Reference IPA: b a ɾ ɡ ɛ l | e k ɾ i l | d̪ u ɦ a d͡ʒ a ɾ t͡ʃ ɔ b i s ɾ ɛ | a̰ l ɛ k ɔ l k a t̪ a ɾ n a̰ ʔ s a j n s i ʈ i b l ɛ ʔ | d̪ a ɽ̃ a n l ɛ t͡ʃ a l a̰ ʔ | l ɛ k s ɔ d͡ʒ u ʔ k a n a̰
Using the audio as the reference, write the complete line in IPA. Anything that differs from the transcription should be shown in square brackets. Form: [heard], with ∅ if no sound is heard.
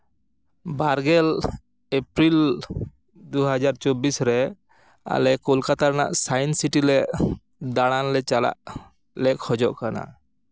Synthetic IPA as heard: b a ɾ ɡ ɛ l | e [p] ɾ i l | d̪ u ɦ a d͡ʒ a ɾ t͡ʃ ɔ b i s ɾ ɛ | a̰ l ɛ k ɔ l k a t̪ a ɾ n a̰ ʔ s a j n s i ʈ i [∅] l ɛ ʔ | d̪ a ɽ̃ a n l ɛ t͡ʃ a l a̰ ʔ | l ɛ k [h] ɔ d͡ʒ [ɔ] ʔ k a n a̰